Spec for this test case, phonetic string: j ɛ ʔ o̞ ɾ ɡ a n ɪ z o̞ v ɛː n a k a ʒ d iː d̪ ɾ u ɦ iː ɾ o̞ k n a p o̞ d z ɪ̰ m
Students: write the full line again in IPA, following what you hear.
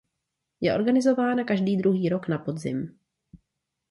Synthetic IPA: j ɛ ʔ o̞ ɾ ɡ a n ɪ z o̞ v aː n a k a ʒ d iː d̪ ɾ u ɦ iː ɾ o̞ k n a p o̞ d z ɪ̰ m